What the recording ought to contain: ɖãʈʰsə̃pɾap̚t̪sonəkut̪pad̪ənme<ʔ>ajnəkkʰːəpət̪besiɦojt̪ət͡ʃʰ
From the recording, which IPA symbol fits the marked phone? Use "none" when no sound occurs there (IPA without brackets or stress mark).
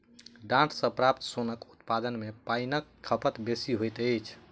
p